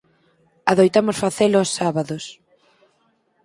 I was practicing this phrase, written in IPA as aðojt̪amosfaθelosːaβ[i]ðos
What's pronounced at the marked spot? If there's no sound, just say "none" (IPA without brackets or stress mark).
a